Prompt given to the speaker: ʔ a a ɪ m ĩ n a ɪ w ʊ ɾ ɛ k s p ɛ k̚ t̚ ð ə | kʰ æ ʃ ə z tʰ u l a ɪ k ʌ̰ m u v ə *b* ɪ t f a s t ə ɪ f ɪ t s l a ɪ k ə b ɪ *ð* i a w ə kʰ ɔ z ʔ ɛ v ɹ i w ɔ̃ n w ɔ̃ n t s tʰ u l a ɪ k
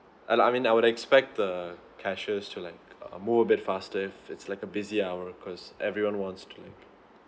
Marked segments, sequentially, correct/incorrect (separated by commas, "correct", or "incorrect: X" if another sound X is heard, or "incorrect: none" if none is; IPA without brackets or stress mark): correct, incorrect: z